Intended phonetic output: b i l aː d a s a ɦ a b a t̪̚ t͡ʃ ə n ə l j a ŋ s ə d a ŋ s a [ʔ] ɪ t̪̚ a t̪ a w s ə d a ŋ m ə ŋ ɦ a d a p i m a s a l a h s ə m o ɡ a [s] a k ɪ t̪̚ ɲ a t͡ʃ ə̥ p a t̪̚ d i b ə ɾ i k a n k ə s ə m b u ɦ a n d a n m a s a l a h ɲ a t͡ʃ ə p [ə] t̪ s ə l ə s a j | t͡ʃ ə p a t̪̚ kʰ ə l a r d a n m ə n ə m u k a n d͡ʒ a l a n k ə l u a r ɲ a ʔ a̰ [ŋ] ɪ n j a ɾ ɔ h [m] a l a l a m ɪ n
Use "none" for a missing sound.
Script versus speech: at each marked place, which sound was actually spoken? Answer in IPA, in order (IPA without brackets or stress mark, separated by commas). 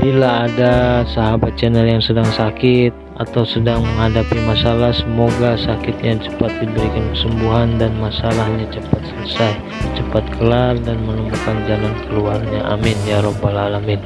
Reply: k, s, a, m, b